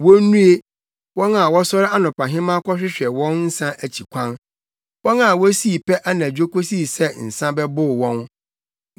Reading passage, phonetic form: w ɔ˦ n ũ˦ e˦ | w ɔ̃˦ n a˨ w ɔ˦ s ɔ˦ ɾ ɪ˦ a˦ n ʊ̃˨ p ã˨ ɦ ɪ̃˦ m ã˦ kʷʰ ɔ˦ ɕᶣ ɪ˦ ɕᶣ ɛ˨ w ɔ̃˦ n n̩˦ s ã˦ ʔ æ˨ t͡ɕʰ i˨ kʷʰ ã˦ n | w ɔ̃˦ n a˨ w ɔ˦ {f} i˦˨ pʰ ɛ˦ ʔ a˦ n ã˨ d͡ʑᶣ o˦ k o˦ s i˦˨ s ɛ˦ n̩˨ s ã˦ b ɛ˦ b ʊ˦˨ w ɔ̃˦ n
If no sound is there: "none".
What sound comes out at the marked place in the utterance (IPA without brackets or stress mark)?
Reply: s